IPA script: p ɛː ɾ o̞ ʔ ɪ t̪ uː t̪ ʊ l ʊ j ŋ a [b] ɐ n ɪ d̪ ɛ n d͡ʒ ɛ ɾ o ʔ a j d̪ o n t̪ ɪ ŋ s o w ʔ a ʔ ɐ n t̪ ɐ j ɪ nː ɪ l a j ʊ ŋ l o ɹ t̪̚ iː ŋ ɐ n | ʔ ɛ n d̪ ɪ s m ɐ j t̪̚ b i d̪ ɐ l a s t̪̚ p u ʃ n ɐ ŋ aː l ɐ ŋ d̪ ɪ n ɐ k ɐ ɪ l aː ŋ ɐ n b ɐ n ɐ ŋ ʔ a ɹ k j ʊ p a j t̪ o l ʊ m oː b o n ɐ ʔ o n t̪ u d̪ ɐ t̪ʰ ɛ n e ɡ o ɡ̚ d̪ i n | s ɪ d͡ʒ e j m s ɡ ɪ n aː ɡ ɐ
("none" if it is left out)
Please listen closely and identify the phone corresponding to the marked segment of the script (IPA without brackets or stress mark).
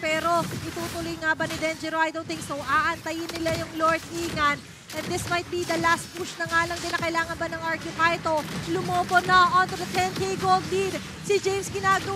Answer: b